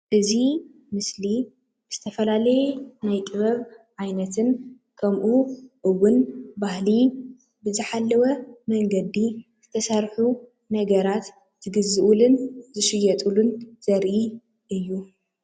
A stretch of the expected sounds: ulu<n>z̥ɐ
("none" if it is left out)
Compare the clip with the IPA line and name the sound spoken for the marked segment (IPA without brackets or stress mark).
n